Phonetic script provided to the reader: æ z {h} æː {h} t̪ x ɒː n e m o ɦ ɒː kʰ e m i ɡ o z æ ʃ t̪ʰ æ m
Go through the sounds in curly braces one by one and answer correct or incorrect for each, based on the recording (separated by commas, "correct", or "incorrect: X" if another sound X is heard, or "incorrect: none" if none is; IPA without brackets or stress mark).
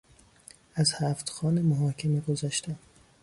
correct, incorrect: f